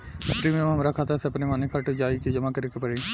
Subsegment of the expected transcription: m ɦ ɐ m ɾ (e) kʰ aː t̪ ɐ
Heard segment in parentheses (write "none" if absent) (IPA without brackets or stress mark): a